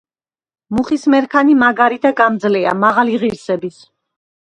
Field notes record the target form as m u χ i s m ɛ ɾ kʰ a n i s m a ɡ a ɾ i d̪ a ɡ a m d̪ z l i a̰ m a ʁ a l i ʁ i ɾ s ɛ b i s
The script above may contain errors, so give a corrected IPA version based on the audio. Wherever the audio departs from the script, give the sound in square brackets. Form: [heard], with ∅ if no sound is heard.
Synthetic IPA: m u χ i s m ɛ ɾ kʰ a n i [∅] m a ɡ a ɾ i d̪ a ɡ a m d̪ z l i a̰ m a ʁ a l i ʁ i ɾ s ɛ b i s